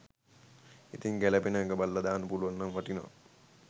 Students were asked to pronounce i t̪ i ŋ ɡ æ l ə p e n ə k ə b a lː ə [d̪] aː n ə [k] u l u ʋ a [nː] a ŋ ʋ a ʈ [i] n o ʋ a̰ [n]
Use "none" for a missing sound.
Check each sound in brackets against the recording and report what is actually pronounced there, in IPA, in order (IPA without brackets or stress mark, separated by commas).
d̪, p, nː, i, none